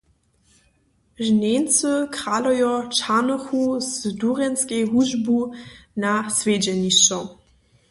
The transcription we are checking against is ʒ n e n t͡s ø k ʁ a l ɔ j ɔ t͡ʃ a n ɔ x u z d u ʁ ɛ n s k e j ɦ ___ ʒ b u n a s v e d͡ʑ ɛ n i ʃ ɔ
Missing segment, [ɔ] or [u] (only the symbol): u